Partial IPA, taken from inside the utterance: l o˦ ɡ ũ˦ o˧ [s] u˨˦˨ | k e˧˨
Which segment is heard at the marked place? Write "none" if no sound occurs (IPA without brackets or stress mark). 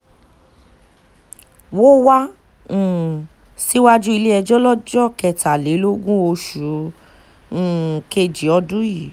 ʃ